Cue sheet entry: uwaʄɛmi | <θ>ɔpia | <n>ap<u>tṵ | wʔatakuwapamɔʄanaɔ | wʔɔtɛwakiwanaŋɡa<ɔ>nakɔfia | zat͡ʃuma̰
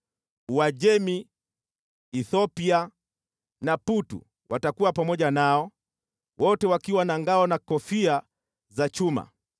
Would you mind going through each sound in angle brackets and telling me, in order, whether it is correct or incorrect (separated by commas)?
correct, correct, correct, correct